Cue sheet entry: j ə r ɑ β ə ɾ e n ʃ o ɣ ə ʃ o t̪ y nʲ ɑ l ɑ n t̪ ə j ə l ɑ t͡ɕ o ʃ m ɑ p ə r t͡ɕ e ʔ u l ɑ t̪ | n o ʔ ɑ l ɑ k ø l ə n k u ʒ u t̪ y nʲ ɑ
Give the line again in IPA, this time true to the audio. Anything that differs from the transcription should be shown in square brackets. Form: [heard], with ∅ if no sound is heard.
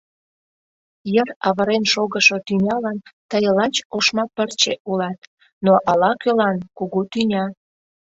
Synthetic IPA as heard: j ə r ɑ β ə ɾ e n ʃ o ɣ ə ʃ o t̪ y nʲ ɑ l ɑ n t̪ ə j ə l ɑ t͡ɕ o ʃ m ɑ p ə r t͡ɕ e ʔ u l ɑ t̪ | n o ʔ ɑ l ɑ k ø l [ɑ] n k u [ɣ] u t̪ y nʲ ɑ